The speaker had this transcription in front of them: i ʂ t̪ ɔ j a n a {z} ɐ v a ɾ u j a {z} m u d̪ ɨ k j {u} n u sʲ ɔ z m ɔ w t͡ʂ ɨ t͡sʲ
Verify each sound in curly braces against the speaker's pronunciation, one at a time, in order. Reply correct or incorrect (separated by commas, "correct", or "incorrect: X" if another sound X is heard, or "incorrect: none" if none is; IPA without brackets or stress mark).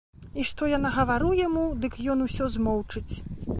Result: incorrect: ɣ, incorrect: none, incorrect: ɔ